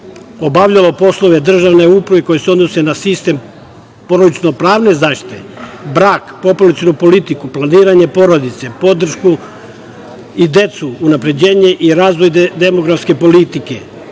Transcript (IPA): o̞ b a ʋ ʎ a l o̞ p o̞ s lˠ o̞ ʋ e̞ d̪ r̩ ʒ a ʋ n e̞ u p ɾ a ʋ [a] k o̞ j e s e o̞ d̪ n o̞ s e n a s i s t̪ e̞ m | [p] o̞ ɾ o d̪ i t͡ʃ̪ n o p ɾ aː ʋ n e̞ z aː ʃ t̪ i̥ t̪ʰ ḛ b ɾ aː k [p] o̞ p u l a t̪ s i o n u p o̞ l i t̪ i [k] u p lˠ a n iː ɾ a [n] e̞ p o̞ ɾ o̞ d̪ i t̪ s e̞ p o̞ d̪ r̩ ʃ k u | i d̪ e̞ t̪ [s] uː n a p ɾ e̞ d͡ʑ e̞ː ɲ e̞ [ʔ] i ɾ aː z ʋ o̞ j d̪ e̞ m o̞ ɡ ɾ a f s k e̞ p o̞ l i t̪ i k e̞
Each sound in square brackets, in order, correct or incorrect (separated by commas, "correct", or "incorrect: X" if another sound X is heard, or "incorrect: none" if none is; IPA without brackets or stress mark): incorrect: e, correct, correct, correct, incorrect: ɲ, correct, correct